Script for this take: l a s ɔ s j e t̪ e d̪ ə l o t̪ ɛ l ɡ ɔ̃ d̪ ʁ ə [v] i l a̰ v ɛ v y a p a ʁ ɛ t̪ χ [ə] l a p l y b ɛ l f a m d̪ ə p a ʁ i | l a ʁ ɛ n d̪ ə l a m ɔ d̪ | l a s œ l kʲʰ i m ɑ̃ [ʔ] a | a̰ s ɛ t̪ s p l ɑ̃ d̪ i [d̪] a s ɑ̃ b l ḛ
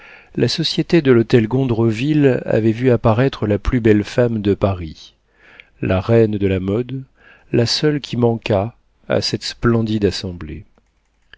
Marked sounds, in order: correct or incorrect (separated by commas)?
correct, correct, incorrect, correct